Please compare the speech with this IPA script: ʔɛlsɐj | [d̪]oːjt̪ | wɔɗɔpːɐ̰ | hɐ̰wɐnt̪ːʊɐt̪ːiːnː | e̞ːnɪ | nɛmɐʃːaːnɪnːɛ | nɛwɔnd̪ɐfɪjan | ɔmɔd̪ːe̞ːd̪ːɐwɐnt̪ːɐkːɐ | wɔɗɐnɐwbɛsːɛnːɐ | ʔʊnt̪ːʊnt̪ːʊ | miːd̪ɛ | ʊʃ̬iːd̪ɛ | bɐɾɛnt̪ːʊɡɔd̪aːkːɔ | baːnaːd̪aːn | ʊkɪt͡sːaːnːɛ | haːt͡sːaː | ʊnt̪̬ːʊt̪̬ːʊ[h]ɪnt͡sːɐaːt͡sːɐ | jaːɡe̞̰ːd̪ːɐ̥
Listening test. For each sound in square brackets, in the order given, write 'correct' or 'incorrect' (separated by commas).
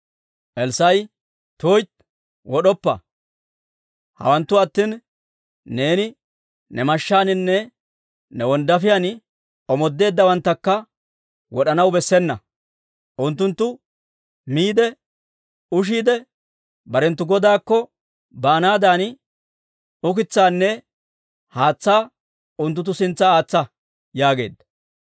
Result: incorrect, incorrect